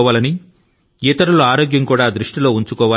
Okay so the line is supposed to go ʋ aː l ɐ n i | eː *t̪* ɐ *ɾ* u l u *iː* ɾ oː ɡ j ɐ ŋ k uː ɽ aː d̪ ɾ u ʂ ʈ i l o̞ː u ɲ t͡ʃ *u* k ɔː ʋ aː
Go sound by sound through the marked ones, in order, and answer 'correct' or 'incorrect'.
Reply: correct, correct, incorrect: aː, correct

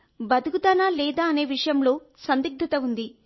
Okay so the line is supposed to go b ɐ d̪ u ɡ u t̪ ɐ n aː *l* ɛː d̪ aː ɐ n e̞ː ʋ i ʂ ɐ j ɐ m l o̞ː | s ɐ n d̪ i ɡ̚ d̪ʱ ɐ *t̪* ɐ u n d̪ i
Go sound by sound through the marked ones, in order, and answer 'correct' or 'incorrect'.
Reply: correct, correct

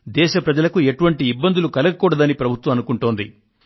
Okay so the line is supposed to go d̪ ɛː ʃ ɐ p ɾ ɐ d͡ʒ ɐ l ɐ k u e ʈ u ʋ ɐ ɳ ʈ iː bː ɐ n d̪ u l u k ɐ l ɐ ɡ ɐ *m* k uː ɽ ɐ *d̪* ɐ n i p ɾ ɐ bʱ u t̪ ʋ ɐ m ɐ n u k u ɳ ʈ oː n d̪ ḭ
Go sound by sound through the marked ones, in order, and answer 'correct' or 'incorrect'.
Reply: incorrect: none, correct

